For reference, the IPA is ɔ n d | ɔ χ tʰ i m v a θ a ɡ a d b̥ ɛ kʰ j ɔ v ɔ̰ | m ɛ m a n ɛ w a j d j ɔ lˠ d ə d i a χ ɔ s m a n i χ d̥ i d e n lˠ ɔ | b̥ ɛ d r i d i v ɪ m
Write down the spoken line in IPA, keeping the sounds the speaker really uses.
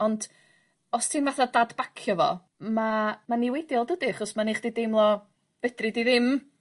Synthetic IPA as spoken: ɔ n d | ɔ s tʰ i m v a θ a d a d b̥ a kʰ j ɔ v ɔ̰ | m a m a n i w e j d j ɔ lˠ d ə d i a χ ɔ s m a n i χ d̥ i d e m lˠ ɔ | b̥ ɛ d r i d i ð ɪ m